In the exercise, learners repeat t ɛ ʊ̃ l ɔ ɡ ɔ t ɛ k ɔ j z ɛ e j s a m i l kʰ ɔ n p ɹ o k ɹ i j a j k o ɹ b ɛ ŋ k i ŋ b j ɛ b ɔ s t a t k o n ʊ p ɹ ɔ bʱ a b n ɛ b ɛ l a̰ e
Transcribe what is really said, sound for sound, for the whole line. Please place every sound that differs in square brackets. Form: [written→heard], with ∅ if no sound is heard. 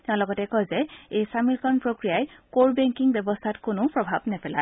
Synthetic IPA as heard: t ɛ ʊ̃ l ɔ ɡ ɔ t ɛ k ɔ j z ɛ e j s a m i l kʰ ɔ n p ɹ o k ɹ i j a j k o ɹ b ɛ ŋ k i ŋ b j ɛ b ɔ s [t→tʰ] a t k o n ʊ p ɹ ɔ bʱ a b n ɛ [b→p] ɛ l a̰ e

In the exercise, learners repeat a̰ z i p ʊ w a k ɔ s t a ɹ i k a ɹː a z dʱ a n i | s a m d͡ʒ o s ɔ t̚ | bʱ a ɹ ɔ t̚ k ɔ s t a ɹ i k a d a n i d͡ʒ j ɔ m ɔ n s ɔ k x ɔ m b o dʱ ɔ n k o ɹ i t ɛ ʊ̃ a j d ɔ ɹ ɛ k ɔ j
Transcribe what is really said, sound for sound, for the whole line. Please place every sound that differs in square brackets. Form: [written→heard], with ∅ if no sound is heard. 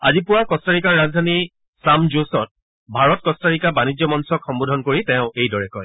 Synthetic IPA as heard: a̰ z i p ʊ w a k ɔ s t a ɹ i k a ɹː a z dʱ a n i | s a m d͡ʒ o s ɔ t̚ | bʱ a ɹ ɔ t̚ k ɔ s t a ɹ i k a [d→b] a n i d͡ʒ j ɔ m ɔ n s ɔ k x ɔ m b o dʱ ɔ n k o ɹ i t ɛ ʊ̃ [a→e] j d ɔ ɹ ɛ k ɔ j

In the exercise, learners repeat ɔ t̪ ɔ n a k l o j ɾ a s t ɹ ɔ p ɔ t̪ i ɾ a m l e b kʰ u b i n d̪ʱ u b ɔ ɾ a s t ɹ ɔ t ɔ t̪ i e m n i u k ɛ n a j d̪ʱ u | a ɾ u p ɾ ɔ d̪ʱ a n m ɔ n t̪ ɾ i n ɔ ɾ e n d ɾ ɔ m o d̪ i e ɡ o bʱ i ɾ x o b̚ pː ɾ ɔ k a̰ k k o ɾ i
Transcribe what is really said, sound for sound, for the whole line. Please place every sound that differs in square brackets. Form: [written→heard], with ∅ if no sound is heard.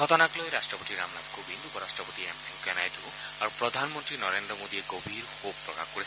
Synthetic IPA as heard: ɔ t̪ ɔ n a k l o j ɾ a s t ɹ ɔ p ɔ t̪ i ɾ a m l [e→a] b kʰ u b i n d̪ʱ u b ɔ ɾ a s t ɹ ɔ [t→p] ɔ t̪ i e m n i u k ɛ n a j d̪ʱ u | a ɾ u p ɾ ɔ d̪ʱ a n m ɔ n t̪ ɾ i n ɔ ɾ e n d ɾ ɔ m o d̪ i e ɡ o bʱ i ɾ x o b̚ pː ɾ ɔ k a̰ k k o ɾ i

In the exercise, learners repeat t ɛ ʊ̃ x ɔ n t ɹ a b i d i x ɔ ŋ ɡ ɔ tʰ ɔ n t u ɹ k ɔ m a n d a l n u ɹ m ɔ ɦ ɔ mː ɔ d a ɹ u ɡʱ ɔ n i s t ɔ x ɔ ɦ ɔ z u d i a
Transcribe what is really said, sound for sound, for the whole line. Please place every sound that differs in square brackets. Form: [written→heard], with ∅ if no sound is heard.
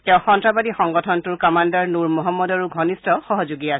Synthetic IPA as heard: t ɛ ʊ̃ x ɔ n t ɹ a b [i→a] d i x ɔ ŋ ɡ ɔ tʰ ɔ n t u ɹ k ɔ m a n d a [l→ɹ] n u ɹ m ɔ ɦ ɔ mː ɔ d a ɹ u ɡʱ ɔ n i s t ɔ x ɔ ɦ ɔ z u [d→ɡ] i a

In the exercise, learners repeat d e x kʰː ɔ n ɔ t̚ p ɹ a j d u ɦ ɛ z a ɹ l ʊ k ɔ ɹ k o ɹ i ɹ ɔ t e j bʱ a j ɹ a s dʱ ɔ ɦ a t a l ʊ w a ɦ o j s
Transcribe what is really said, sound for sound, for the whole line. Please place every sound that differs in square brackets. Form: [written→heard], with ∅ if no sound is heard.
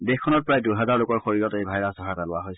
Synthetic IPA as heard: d e x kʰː ɔ n ɔ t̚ p ɹ a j d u ɦ ɛ z a ɹ l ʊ k ɔ ɹ [k→x] o ɹ i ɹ ɔ t e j bʱ a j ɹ a s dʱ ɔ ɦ a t a l ʊ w a ɦ o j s

